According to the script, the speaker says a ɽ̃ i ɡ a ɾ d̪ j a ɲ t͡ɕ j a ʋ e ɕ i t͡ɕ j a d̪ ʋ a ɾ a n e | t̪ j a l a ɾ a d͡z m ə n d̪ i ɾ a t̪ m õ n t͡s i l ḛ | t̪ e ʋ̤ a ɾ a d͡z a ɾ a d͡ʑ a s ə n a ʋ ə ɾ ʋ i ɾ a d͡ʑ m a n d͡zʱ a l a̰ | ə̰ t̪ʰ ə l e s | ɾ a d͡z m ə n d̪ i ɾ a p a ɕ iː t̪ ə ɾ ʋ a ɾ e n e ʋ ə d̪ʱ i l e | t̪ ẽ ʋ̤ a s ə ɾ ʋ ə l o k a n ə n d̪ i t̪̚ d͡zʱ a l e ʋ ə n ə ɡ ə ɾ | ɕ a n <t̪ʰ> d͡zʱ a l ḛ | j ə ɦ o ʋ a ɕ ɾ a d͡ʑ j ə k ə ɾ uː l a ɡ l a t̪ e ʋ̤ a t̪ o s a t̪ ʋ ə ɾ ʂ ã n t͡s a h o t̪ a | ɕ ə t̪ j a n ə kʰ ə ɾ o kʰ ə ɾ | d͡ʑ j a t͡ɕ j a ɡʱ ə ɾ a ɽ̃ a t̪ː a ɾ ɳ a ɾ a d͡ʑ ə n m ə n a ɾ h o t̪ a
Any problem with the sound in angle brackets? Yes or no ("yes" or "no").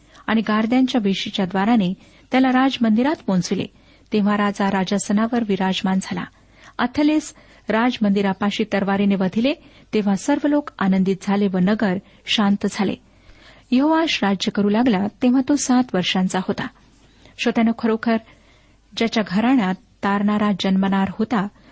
yes